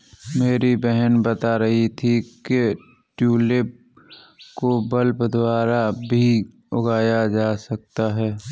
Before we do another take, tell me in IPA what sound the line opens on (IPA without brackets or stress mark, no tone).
m